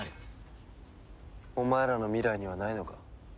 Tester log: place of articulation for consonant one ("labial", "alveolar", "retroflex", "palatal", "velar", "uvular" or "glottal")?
labial